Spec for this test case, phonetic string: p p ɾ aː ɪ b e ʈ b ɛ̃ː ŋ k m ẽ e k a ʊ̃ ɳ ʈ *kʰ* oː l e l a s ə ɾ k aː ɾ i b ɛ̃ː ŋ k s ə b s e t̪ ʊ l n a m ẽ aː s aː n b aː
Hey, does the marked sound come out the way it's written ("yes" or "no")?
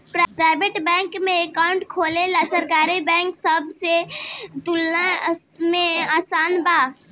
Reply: yes